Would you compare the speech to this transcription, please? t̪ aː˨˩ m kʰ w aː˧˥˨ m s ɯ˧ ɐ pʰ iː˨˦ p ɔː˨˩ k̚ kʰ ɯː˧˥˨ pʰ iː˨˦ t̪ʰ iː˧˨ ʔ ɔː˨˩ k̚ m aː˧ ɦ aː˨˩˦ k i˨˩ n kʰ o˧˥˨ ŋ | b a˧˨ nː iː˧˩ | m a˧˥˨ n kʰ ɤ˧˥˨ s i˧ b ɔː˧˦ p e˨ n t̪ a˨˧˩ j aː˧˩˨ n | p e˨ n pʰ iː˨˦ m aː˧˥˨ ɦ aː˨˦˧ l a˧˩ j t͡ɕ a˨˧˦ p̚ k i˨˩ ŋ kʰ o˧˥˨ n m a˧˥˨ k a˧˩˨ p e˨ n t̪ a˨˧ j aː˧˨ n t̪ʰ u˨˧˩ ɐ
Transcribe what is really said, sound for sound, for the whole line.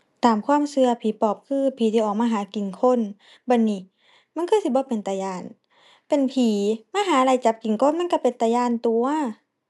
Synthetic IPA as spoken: t̪ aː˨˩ m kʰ w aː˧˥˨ m s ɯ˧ ɐ pʰ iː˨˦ p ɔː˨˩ p̚ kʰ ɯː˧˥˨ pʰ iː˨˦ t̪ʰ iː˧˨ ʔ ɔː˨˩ k̚ m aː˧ ɦ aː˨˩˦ k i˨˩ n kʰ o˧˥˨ n | b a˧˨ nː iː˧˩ | m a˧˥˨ n kʰ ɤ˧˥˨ s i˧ b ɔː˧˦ p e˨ n t̪ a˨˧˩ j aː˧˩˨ n | p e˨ n pʰ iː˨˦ m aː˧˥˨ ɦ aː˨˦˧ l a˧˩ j t͡ɕ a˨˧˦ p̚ k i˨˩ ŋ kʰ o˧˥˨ n m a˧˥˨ k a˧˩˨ p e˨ n t̪ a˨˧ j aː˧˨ n t̪ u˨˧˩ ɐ

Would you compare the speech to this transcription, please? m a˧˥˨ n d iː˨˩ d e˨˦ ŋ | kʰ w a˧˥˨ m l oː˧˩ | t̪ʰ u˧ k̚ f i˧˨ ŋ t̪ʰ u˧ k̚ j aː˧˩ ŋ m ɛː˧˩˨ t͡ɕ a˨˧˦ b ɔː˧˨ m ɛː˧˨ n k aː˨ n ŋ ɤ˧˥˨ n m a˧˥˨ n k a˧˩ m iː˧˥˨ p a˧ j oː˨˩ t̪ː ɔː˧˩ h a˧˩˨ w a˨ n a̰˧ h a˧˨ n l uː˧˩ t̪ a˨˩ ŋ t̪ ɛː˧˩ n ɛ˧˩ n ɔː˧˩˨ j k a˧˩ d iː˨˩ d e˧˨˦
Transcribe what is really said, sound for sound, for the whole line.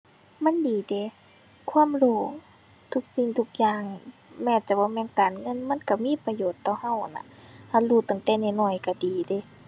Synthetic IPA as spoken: m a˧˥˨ n d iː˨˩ d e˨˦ | kʰ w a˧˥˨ m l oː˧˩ | t̪ʰ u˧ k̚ s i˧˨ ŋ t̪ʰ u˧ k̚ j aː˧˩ ŋ m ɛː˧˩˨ t͡ɕ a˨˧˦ b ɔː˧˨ m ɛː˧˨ n k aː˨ n ŋ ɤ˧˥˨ n m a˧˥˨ n k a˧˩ m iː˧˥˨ p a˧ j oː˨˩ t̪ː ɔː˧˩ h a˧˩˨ w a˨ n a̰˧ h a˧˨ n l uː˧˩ t̪ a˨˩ ŋ t̪ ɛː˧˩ n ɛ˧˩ n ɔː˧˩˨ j k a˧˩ d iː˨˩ d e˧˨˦

